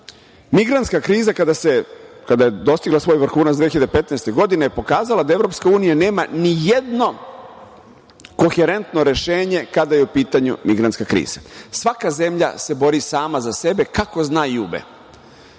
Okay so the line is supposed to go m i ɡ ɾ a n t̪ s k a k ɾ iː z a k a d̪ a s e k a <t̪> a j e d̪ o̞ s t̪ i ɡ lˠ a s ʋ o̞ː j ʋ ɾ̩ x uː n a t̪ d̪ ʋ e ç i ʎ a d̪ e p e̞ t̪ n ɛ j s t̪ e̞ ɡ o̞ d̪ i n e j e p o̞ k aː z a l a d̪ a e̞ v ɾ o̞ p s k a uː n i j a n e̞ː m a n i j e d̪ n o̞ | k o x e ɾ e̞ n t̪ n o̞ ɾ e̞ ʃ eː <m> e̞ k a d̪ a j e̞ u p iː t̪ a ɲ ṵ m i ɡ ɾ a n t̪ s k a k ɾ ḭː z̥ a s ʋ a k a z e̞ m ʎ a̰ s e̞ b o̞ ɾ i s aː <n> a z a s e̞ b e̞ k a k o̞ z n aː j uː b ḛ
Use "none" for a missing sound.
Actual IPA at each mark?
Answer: d̪, ɲ, m

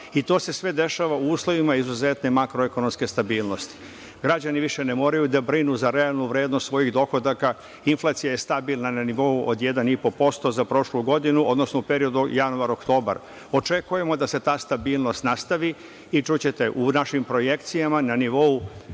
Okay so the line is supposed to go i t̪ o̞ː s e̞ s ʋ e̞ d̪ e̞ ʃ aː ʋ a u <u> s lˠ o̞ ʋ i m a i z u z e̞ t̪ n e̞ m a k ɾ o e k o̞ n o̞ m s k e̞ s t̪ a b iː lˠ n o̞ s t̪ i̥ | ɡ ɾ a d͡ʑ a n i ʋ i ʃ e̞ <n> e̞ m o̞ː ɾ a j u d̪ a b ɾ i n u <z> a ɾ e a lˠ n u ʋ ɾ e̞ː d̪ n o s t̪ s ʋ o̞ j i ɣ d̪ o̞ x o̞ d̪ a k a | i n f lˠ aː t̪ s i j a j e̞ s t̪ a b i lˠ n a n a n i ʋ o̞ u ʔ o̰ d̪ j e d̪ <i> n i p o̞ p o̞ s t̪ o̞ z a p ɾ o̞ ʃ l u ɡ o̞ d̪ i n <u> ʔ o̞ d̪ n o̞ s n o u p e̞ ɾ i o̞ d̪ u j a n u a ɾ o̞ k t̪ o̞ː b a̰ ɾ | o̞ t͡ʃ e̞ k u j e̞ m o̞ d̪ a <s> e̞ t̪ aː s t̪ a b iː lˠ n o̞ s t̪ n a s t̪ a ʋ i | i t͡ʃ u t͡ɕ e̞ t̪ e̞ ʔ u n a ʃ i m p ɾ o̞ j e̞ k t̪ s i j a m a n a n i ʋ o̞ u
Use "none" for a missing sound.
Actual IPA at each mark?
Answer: uː, n, z, a, u, s

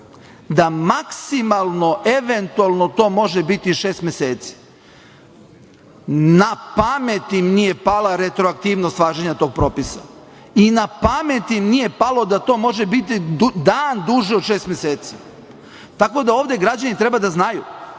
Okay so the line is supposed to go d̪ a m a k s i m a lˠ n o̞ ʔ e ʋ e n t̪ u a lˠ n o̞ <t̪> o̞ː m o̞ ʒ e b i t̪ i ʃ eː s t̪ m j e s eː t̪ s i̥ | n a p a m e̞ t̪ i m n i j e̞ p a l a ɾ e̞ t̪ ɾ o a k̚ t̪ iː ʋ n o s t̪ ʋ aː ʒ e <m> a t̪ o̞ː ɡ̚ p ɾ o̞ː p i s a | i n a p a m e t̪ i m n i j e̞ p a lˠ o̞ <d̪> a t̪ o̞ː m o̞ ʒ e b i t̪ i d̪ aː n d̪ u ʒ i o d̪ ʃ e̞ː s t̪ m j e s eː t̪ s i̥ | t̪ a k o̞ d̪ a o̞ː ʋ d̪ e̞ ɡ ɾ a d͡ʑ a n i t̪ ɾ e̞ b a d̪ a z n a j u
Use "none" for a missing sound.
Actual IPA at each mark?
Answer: t̪, ɲ, d̪

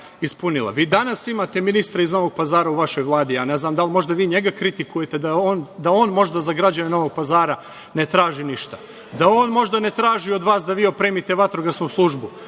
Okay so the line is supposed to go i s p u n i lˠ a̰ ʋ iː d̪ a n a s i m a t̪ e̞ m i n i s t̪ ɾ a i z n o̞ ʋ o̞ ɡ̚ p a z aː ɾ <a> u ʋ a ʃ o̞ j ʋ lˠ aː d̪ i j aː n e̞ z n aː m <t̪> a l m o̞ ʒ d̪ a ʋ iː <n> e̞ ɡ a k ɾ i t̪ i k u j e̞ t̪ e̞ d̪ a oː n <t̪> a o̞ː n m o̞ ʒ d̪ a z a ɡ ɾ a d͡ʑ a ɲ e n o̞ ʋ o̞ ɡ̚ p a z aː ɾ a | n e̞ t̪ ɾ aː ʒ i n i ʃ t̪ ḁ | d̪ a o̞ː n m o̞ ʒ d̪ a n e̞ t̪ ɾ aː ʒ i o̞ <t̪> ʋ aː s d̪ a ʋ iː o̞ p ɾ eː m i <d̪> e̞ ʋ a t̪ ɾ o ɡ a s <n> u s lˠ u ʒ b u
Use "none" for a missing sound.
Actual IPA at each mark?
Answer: a, d̪, ɲ, d̪, d̪, t̪, n

